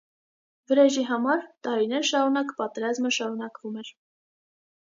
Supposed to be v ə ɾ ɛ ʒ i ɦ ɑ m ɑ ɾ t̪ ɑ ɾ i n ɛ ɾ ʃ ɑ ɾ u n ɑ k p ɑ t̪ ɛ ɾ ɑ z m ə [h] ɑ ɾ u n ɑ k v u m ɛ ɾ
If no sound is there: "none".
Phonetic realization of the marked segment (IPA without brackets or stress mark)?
ʃ